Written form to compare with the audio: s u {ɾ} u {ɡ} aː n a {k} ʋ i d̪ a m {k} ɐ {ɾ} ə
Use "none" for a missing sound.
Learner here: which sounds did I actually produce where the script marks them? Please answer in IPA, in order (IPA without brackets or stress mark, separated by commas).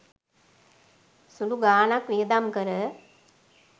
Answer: l, ɡ, k, k, ɾ